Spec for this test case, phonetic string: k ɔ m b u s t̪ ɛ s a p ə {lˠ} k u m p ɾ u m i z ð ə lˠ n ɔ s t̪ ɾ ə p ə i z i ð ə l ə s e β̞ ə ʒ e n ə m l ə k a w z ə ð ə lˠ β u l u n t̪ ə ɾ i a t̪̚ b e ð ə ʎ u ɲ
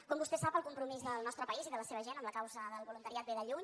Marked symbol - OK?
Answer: yes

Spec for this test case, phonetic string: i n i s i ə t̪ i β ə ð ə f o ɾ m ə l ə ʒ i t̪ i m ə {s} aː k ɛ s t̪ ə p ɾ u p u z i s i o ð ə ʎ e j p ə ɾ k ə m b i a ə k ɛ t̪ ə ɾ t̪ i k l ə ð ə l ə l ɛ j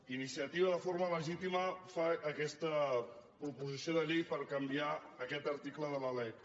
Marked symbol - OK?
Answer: no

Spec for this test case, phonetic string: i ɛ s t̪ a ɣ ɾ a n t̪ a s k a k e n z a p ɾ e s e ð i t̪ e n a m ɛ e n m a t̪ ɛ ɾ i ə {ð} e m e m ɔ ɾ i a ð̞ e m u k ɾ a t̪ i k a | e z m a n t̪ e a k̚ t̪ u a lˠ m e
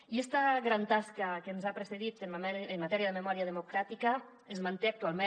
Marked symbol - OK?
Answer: yes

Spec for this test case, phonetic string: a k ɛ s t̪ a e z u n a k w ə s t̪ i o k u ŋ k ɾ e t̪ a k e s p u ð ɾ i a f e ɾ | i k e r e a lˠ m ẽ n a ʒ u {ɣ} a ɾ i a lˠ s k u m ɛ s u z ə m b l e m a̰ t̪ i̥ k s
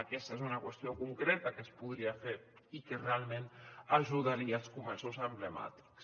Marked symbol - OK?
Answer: no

